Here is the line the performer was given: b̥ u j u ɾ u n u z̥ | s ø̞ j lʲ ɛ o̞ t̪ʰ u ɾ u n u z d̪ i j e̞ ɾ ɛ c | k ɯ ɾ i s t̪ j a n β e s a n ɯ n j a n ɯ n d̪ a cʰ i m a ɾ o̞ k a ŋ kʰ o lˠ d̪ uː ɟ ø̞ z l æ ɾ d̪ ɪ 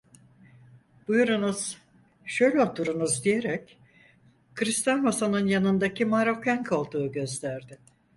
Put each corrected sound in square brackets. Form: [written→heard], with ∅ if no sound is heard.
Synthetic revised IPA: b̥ u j u ɾ u n u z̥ | [s→ʃ] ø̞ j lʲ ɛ o̞ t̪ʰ u ɾ u n u z d̪ i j e̞ ɾ ɛ c | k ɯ ɾ i s t̪ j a n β [e→a] s a n ɯ n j a n ɯ n d̪ a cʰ i m a ɾ o̞ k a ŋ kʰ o lˠ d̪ uː ɟ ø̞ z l æ ɾ d̪ ɪ

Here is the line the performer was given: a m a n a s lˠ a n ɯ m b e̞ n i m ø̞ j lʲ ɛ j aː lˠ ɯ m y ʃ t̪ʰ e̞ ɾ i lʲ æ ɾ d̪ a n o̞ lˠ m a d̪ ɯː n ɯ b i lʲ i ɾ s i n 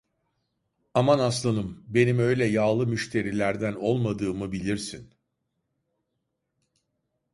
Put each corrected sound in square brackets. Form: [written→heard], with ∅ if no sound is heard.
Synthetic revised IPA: a m a n a s lˠ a n ɯ m b e̞ n i m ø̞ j lʲ ɛ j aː lˠ ɯ m y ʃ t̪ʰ e̞ ɾ i lʲ æ ɾ d̪ [a→æ] n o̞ lˠ m a d̪ ɯː [n→m] ɯ b i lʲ i ɾ s i n

